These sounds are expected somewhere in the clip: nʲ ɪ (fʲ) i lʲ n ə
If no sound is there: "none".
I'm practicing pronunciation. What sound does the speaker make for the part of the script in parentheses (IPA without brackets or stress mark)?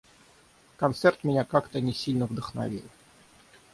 sʲ